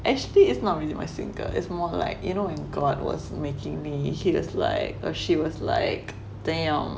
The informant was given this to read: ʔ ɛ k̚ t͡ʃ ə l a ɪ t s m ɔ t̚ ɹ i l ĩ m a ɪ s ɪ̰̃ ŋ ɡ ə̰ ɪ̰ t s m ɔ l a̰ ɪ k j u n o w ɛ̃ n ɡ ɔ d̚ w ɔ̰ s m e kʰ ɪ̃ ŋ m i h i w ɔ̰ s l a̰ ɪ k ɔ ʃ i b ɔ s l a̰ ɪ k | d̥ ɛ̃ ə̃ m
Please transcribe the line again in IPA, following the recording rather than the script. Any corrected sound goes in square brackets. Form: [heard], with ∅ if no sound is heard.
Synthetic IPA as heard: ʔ ɛ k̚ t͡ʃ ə l [i] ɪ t s [n] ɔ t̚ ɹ i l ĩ m a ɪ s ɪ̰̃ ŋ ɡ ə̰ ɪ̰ t s m ɔ l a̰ ɪ k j u n o w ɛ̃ n ɡ ɔ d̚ w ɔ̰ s m e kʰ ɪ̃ ŋ m i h i w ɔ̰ s l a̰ ɪ k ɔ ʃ i [w] ɔ s l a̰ ɪ k | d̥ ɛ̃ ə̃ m